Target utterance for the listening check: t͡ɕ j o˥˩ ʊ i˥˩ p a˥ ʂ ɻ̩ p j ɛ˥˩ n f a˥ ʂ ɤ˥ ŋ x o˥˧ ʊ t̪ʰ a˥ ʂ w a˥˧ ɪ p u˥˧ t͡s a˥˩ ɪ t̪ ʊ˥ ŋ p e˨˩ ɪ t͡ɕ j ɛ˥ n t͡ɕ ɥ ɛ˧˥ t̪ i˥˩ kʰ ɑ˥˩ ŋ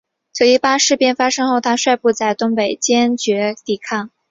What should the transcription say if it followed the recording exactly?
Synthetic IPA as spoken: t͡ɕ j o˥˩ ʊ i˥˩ p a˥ ʂ ɻ̩ p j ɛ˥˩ n f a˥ ʂ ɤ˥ ŋ x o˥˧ ʊ t̪ʰ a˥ ʂ w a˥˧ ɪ p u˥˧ t͡s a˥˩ ɪ t̪ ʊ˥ ŋ p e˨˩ ɪ t͡ɕ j ɛ˥ n t͡ɕ ɥ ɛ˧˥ t̪ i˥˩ kʰ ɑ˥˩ ŋ